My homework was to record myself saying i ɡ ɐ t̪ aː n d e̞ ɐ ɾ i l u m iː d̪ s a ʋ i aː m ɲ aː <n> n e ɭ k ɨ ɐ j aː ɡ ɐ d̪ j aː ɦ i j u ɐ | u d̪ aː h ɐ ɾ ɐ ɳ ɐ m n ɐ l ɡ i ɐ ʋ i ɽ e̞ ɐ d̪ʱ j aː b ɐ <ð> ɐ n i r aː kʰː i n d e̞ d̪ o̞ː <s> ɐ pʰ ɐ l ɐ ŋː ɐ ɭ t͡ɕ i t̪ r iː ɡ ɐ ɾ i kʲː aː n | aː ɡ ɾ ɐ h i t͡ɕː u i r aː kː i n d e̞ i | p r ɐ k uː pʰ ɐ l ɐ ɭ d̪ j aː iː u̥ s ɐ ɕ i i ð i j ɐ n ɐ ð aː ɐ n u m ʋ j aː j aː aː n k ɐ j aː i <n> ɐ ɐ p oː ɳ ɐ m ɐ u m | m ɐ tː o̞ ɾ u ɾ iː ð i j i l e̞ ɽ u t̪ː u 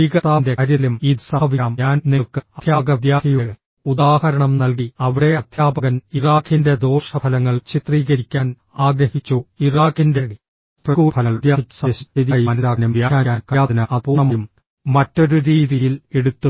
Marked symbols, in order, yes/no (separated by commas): yes, no, no, yes